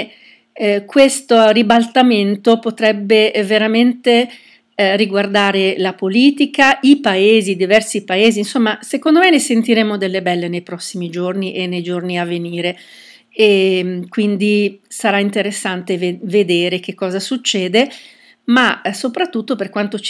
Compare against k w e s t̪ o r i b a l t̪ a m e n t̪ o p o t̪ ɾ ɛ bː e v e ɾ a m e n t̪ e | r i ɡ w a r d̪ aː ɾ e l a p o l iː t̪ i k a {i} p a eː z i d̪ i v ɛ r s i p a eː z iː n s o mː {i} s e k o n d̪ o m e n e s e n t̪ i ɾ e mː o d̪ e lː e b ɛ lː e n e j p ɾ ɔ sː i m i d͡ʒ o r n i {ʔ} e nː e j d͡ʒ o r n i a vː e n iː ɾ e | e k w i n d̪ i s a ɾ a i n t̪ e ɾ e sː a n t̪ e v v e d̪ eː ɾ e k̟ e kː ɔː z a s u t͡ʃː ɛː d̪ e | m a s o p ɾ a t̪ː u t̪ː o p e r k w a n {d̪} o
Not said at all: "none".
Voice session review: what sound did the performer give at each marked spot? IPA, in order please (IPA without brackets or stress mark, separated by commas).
i, a, ʔ, t̪